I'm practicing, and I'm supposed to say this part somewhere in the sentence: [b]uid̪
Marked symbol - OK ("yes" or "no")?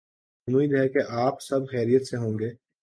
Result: no